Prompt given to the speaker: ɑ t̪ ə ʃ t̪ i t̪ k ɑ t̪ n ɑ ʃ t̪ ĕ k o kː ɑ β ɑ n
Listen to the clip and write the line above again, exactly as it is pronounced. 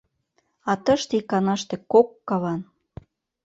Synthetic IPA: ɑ t̪ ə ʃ t̪ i k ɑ n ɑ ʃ t̪ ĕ k o kː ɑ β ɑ n